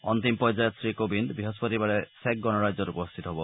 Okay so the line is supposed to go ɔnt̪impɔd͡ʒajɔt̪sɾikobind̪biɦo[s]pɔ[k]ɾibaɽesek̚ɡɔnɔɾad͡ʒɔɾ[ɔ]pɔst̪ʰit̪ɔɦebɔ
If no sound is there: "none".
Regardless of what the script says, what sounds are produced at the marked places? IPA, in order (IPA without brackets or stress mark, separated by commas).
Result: s, none, u